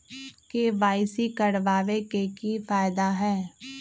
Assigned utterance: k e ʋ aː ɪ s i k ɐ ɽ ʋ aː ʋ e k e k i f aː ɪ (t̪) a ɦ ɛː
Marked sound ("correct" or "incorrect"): incorrect